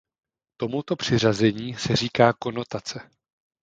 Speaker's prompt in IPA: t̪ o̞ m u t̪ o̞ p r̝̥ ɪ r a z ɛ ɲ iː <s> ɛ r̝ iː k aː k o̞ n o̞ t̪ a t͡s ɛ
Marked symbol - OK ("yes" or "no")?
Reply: yes